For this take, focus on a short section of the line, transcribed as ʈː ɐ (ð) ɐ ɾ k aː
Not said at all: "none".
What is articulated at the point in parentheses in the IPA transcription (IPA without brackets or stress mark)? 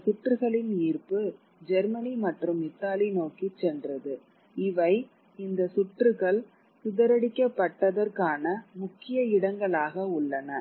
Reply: ð